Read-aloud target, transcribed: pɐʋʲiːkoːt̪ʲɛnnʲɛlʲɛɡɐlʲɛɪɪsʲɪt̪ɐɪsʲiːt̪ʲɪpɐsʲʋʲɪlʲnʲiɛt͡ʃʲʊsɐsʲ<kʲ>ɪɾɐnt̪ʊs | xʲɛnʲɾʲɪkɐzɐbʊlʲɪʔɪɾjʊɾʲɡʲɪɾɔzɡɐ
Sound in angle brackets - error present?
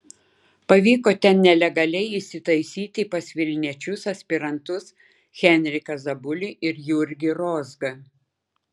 yes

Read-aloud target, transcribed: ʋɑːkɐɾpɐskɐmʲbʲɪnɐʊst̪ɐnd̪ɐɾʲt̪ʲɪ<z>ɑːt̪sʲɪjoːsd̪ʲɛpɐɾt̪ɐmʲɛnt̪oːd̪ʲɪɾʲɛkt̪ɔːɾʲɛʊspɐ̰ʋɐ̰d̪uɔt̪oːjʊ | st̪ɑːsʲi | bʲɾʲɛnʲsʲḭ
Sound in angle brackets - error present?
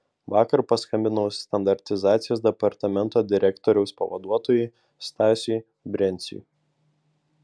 no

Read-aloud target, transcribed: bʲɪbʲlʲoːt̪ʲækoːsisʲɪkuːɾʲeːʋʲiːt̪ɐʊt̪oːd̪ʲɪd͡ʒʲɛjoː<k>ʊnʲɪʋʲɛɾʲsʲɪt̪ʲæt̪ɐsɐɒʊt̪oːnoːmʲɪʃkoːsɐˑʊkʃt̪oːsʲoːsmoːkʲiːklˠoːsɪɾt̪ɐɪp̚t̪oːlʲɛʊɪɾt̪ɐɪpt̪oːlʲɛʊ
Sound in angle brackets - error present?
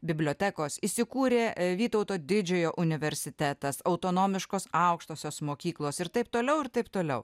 yes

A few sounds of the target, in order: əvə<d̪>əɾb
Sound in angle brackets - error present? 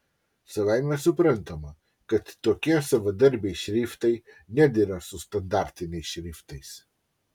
no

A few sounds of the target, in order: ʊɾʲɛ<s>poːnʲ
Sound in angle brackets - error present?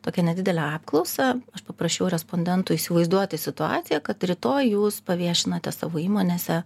no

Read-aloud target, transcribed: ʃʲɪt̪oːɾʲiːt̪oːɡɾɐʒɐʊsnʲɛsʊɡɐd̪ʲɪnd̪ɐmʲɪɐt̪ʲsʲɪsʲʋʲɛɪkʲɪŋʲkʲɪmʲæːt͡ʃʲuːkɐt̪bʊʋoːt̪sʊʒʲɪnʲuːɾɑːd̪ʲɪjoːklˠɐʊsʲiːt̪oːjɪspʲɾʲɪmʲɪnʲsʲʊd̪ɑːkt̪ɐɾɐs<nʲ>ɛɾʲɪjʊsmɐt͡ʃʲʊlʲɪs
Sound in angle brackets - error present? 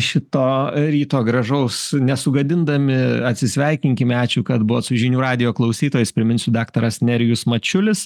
no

